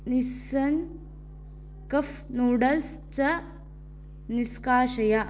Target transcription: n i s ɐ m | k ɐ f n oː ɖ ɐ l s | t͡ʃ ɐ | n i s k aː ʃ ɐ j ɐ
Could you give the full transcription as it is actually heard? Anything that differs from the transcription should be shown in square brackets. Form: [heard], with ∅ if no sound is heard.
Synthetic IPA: n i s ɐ [n] | k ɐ f n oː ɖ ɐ l s | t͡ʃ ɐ | n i s k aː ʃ ɐ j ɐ